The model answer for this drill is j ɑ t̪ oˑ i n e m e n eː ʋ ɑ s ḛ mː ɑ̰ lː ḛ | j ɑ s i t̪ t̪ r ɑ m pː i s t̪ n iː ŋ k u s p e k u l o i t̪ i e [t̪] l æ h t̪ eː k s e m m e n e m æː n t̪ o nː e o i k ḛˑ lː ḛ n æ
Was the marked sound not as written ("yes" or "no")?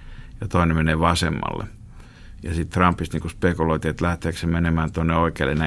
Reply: no